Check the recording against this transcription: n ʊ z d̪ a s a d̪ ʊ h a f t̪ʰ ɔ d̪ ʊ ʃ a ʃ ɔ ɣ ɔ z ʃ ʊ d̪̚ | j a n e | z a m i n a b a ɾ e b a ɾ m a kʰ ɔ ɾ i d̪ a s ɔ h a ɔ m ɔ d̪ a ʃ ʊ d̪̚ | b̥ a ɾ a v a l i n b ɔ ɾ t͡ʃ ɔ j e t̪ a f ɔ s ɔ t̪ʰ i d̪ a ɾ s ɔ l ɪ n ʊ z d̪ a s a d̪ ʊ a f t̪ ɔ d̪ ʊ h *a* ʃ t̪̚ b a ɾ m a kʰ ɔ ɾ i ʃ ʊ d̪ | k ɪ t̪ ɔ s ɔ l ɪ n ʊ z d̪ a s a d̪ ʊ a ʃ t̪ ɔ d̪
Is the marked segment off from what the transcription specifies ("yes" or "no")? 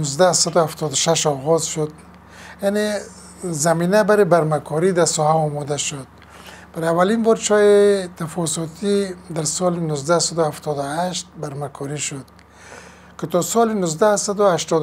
no